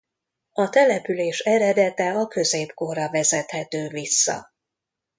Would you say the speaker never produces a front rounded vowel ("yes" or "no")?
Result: no